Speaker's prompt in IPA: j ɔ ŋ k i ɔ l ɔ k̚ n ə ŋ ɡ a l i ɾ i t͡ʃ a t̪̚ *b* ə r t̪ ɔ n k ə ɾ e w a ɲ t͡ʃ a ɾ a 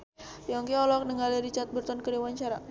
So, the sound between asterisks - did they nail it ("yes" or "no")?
yes